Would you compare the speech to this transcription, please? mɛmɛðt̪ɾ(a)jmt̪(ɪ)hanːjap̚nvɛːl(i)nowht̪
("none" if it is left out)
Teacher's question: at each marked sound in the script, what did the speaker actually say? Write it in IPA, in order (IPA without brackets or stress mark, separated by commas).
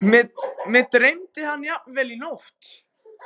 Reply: e, ɪ, i